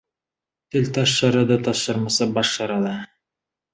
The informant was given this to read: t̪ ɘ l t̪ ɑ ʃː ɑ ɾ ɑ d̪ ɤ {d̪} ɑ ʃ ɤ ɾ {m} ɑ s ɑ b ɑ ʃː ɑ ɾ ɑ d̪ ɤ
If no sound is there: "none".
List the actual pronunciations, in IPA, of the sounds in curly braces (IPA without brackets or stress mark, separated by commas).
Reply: t̪, m